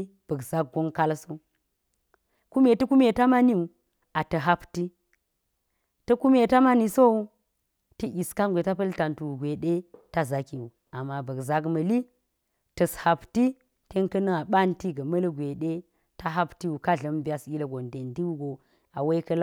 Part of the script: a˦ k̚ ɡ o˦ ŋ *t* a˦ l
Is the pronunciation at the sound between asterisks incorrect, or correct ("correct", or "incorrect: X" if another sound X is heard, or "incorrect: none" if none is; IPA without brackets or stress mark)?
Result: incorrect: k